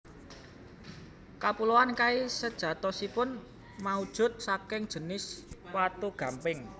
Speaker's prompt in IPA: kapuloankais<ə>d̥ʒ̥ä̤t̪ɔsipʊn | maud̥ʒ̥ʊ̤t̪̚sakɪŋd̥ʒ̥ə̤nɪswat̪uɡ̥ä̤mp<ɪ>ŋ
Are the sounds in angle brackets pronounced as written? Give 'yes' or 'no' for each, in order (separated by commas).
yes, yes